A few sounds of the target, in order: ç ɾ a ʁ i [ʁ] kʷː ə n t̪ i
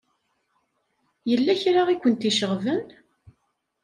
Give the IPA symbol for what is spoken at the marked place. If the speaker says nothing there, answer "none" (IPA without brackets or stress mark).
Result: none